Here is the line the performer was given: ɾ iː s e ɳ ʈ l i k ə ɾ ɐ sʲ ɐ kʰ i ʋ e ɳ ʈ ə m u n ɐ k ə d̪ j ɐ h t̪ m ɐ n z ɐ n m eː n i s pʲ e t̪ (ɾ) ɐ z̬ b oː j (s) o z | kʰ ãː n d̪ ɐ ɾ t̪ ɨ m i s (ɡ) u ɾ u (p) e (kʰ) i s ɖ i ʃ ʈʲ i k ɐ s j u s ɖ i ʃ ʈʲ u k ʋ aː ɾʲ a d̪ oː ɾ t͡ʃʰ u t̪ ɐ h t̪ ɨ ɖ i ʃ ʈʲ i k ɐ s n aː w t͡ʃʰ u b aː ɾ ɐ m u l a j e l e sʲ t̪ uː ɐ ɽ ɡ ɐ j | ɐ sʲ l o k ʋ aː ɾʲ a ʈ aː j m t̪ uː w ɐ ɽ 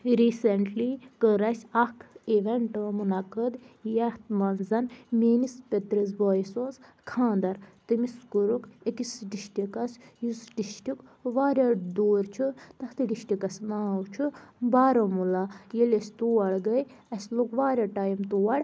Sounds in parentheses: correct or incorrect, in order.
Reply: correct, correct, incorrect, incorrect, incorrect

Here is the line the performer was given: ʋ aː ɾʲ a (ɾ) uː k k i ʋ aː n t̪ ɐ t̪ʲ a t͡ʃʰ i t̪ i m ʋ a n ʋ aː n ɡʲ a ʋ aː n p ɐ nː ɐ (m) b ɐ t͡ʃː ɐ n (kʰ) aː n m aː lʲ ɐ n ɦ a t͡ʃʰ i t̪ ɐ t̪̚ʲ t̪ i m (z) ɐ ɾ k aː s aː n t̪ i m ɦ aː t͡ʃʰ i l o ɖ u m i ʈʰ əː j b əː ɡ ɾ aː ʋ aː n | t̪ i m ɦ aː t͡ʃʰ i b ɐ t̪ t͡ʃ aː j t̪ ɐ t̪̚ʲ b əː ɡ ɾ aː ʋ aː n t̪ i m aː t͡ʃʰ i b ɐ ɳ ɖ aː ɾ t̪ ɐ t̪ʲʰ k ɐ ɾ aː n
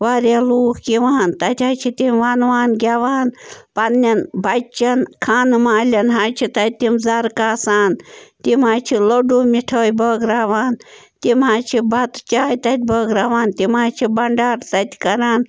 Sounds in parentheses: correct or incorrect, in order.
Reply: incorrect, incorrect, correct, correct

